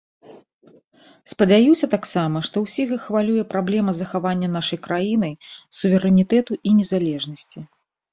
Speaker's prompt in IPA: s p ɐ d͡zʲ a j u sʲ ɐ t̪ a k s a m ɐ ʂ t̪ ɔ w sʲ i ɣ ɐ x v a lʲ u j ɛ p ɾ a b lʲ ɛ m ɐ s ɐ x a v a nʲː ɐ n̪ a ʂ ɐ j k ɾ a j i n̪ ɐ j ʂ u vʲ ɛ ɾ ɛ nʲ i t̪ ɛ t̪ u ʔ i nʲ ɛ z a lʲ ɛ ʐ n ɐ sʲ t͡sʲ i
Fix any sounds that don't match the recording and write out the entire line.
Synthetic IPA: s p ɐ d͡zʲ a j u sʲ ɐ t̪ a k s a m ɐ ʂ t̪ ɔ w sʲ i ɣ ɐ x v a lʲ u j ɛ p ɾ a b lʲ ɛ m ɐ z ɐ x a v a nʲː ɐ n̪ a ʂ ɐ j k ɾ a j i n̪ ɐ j s u vʲ ɛ ɾ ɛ nʲ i t̪ ɛ t̪ u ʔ i nʲ ɛ z a lʲ ɛ ʐ n ɐ sʲ t͡sʲ i